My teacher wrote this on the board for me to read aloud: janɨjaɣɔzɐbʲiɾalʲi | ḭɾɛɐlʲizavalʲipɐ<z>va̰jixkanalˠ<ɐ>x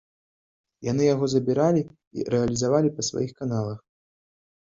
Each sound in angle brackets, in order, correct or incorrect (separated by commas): incorrect, correct